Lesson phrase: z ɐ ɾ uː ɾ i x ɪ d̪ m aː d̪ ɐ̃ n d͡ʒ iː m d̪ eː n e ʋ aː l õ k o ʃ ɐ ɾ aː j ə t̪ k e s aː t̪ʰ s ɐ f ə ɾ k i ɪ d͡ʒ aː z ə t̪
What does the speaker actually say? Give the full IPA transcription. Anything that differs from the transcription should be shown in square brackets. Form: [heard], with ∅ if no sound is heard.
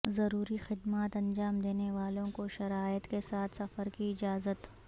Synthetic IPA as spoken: z ɐ ɾ uː ɾ i x ɪ d̪ m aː [t̪] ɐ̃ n d͡ʒ [aː] m d̪ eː n e ʋ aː l õ k o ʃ ɐ ɾ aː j ə t̪ k e s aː t̪ʰ s ɐ f ə ɾ k i ɪ d͡ʒ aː z ə t̪